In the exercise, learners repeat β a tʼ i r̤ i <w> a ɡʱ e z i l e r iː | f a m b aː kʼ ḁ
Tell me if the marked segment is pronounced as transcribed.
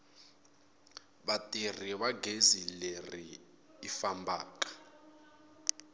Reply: no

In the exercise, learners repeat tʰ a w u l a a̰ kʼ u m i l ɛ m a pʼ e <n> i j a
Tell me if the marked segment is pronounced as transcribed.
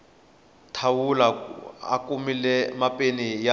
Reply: yes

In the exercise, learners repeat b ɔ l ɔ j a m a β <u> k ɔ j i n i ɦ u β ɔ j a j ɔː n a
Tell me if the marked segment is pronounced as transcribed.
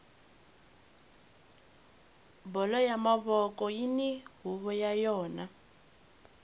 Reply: no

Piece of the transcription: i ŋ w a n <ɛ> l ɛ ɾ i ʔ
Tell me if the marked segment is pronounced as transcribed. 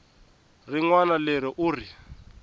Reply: no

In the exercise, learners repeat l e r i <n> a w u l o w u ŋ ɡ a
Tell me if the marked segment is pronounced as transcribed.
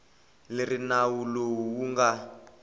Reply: yes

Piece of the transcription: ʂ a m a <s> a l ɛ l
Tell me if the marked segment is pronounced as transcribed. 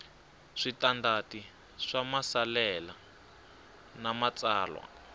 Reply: yes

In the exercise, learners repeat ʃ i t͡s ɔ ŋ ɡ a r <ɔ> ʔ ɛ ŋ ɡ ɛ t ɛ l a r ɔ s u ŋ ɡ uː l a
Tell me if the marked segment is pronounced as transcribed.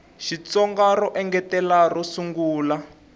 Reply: yes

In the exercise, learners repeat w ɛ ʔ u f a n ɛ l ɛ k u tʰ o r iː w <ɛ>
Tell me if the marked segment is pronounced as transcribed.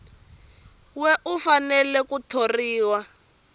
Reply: no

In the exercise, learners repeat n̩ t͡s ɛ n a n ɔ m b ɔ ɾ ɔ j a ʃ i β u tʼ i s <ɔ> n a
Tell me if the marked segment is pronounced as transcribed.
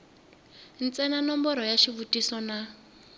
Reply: yes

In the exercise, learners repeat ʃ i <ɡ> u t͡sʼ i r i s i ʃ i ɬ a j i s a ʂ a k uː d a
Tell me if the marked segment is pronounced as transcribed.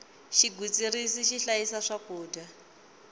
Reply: yes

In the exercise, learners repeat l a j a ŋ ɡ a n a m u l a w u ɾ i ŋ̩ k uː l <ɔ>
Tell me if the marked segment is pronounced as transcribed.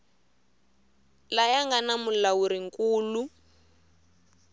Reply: no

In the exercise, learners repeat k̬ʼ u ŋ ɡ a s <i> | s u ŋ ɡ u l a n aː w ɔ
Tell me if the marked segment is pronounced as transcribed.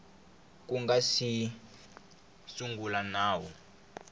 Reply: yes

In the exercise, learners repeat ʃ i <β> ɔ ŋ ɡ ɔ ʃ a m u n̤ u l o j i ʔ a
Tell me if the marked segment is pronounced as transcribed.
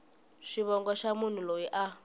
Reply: yes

